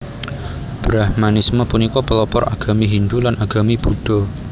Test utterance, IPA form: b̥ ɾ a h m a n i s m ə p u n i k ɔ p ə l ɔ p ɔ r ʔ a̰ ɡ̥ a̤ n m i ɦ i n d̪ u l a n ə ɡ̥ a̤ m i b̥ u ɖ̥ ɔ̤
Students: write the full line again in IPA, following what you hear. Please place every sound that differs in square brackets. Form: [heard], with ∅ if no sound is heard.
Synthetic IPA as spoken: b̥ ɾ a h m a n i s m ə p u n i k ɔ p ə l ɔ p ɔ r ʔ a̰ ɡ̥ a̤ [∅] m i ɦ i n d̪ u l a n [a] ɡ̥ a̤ m i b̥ u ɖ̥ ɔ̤

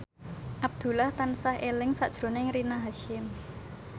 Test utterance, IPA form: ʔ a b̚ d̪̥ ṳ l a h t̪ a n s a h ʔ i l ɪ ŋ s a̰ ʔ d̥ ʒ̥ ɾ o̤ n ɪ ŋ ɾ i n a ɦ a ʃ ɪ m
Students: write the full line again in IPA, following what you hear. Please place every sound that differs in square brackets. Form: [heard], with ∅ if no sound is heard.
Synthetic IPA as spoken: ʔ a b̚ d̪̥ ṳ l a h t̪ a n s a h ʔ [e] l ɪ ŋ s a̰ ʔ d̥ ʒ̥ ɾ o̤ n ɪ ŋ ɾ i n a ɦ a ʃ ɪ m

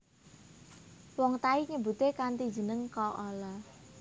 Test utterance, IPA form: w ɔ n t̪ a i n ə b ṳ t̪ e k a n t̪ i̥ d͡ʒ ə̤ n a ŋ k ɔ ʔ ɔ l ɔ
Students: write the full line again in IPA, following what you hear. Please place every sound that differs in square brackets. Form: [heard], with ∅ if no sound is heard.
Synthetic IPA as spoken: w ɔ [ŋ] t̪ a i [ɲ] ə b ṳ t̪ e k a n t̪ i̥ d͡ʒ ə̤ n [ə] ŋ k ɔ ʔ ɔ l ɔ

